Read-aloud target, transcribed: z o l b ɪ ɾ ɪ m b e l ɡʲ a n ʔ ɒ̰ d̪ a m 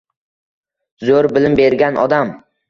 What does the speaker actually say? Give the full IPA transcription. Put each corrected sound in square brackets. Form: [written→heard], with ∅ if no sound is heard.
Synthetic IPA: z o [l→ɾ] b ɪ [ɾ→l] ɪ m b e [l→ɾ] ɡʲ a n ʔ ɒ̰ d̪ a m

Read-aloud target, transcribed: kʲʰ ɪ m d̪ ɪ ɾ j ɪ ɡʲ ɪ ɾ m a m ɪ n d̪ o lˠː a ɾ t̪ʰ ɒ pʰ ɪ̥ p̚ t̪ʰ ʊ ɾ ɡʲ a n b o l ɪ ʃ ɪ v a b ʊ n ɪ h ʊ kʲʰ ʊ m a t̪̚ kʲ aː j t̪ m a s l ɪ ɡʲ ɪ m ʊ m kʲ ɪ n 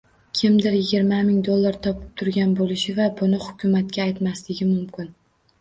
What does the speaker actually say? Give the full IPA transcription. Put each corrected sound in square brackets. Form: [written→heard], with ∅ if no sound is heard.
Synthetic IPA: kʲʰ ɪ m d̪ ɪ ɾ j ɪ ɡʲ ɪ ɾ m a m ɪ [n→ŋ] d̪ o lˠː a ɾ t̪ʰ ɒ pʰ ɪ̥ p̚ t̪ʰ ʊ ɾ ɡʲ a n b o l ɪ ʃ ɪ v a b ʊ n ɪ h ʊ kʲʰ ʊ m a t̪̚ kʲ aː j t̪ m a s l ɪ ɡʲ ɪ m ʊ m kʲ ɪ n

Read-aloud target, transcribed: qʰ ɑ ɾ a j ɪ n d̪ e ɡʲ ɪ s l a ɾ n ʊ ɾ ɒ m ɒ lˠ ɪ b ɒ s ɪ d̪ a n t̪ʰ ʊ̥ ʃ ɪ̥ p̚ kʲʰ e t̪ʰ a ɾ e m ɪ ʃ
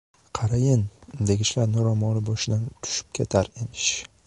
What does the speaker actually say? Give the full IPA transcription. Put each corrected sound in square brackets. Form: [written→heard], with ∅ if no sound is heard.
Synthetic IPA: qʰ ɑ ɾ a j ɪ n d̪ e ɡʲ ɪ [s→ʃ] l a ɾ n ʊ ɾ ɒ m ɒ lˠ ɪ b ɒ [s→ʃ] ɪ d̪ a n t̪ʰ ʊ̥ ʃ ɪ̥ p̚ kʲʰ e t̪ʰ a ɾ e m ɪ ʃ

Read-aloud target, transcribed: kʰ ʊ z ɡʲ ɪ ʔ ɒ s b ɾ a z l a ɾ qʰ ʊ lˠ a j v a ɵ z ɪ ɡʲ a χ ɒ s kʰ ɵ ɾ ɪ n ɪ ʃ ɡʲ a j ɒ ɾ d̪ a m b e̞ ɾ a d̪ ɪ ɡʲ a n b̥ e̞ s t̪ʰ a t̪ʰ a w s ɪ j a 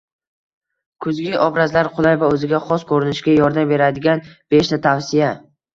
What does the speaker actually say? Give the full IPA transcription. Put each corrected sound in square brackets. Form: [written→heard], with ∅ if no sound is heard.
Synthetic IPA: kʰ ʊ z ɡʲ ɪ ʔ ɒ [s→∅] b ɾ a z l a ɾ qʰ ʊ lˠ a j v a ɵ z ɪ ɡʲ a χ ɒ s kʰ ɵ ɾ ɪ n ɪ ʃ ɡʲ a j ɒ ɾ d̪ a m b e̞ ɾ a d̪ ɪ ɡʲ a n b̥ e̞ [s→ʃ] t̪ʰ a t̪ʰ a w s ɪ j a

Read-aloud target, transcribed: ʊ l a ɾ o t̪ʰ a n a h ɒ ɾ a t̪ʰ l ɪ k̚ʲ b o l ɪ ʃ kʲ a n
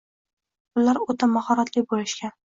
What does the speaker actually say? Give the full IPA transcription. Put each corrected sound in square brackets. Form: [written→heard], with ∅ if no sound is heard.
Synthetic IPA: ʊ l a ɾ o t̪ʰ a [n→m] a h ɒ ɾ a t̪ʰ l ɪ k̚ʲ b o l ɪ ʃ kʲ a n

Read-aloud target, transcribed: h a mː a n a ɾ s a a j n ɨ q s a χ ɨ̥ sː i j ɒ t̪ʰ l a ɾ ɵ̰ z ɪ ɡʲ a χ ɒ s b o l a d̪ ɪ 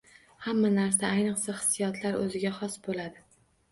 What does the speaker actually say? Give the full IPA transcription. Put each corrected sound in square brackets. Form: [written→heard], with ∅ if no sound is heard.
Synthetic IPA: h a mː a n a ɾ s a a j n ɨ q s a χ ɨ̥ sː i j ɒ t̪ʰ l a ɾ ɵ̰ z ɪ ɡʲ a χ ɒ s b o l a d̪ ɪ

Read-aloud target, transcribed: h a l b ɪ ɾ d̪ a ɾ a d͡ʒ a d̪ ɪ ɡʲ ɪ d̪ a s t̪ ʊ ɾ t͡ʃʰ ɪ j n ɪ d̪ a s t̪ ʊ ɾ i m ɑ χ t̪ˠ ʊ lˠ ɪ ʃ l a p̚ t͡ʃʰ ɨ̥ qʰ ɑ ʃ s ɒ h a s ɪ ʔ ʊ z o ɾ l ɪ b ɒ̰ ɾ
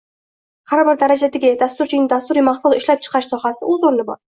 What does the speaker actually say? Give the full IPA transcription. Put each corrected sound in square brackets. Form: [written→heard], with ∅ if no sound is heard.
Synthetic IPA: h a [l→ɾ] b ɪ ɾ d̪ a ɾ a d͡ʒ a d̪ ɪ ɡʲ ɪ d̪ a s t̪ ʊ ɾ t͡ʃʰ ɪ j n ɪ d̪ a s t̪ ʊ ɾ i m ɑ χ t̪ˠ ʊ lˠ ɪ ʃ l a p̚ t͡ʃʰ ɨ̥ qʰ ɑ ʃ s ɒ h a s ɪ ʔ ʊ z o ɾ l ɪ b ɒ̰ ɾ

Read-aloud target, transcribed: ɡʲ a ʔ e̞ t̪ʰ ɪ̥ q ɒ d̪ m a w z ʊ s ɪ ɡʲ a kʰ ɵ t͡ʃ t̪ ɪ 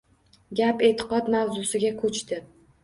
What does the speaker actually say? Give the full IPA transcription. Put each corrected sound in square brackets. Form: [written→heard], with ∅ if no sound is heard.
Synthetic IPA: ɡʲ a [ʔ→p] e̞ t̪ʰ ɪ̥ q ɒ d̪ m a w z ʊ s ɪ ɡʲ a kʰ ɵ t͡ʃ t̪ ɪ

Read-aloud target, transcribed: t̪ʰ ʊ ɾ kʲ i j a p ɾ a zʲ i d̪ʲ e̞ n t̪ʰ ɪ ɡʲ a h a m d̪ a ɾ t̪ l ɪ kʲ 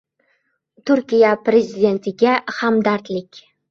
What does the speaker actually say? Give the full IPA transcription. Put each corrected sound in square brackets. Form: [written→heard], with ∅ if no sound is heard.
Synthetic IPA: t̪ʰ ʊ ɾ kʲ i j a p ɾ [a→e] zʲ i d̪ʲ e̞ n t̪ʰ ɪ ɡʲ a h a m d̪ a ɾ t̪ l ɪ kʲ

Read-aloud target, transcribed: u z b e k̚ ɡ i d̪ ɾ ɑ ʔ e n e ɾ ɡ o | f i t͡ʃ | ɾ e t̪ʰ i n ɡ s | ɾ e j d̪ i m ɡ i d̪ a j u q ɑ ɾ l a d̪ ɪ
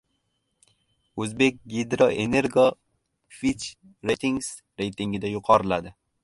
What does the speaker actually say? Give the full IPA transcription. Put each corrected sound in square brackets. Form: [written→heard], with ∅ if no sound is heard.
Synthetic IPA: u z b e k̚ ɡ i d̪ ɾ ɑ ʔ e n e ɾ ɡ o | f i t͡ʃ | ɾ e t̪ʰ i [n→ŋ] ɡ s | ɾ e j [d̪→t̪] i [m→ŋ] ɡ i d̪ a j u q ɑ ɾ l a d̪ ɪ

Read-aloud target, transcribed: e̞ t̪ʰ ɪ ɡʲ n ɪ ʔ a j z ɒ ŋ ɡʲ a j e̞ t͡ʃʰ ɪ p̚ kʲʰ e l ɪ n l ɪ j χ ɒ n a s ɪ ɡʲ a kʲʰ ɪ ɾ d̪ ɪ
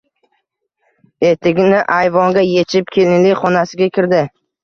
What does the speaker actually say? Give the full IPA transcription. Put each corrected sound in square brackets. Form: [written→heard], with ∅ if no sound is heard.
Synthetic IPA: e̞ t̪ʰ ɪ ɡʲ n ɪ ʔ a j [z→v] ɒ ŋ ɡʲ a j e̞ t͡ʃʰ ɪ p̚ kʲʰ e l ɪ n l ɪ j χ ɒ n a s ɪ ɡʲ a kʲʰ ɪ ɾ d̪ ɪ

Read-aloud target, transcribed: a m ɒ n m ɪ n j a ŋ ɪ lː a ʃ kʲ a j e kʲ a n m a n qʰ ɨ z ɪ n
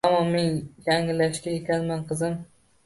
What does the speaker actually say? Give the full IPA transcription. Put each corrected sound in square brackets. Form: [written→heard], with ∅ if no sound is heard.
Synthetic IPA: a m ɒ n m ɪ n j a ŋ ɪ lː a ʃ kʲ a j e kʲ a n m a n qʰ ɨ z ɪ [n→m]

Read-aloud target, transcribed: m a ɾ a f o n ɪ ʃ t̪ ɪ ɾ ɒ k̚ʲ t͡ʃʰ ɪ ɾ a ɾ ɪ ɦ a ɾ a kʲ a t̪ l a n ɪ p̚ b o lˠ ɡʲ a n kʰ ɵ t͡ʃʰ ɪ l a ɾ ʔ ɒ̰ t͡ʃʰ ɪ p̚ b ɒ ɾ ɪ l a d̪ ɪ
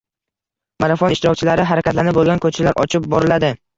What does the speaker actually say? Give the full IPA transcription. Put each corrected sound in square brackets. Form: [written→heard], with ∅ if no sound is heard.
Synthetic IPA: m a ɾ a f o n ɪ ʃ t̪ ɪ ɾ ɒ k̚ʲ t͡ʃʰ ɪ [ɾ→l] a ɾ ɪ ɦ a ɾ a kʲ a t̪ l a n ɪ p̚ b o lˠ ɡʲ a n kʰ ɵ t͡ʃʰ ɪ l a ɾ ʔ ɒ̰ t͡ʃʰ ɪ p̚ b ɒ ɾ ɪ l a d̪ ɪ

